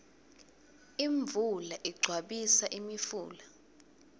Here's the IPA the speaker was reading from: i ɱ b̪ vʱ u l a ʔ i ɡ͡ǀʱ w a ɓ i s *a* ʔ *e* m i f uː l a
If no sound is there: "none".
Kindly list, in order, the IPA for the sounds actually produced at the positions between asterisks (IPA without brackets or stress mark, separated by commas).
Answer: a, i